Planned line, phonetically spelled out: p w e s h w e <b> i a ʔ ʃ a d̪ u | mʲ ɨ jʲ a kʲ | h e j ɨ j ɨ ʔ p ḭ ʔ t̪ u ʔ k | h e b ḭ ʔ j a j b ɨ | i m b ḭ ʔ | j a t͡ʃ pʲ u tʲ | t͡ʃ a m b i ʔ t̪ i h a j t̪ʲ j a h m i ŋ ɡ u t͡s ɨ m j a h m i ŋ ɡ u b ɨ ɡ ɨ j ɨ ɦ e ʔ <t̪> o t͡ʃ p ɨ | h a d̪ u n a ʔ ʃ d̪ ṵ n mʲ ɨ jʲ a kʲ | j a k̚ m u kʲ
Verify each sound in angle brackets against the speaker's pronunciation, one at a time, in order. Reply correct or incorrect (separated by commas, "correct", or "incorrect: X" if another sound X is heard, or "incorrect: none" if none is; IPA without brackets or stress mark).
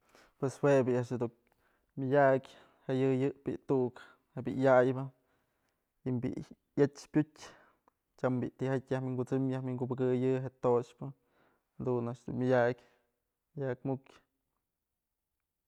correct, correct